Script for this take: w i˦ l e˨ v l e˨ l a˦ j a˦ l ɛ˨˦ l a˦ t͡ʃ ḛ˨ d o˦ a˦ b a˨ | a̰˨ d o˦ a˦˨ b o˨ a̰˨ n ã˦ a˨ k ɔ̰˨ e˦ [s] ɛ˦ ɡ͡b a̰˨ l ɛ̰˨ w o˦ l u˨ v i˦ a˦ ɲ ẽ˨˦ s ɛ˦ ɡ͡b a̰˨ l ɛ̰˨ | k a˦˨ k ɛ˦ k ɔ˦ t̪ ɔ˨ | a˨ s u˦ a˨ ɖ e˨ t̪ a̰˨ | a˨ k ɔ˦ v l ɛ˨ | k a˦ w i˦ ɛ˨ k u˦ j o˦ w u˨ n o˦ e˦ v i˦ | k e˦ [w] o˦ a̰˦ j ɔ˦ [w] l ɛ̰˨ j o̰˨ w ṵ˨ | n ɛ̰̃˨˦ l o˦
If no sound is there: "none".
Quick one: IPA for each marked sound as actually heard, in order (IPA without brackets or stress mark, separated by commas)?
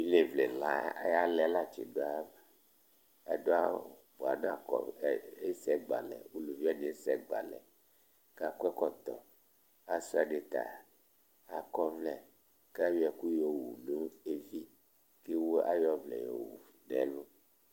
s, w, v